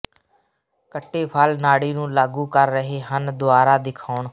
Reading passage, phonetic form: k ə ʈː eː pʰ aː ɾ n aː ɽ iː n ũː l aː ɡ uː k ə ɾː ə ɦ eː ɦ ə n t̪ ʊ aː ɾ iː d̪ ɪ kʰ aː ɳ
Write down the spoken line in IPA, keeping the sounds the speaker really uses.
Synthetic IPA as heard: k ə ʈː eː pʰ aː l n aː ɽ iː n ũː l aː ɡ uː k ə ɾː ə ɦ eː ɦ ə n d̪ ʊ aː ɾ aː d̪ ɪ kʰ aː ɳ